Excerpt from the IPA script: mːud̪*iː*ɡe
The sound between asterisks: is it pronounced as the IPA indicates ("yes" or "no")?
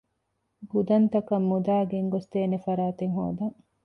no